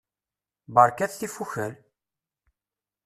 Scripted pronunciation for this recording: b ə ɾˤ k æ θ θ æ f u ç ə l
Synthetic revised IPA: b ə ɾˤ k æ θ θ i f u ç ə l